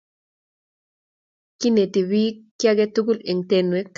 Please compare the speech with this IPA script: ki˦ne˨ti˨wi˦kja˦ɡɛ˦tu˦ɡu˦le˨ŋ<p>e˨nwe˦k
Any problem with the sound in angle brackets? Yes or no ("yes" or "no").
yes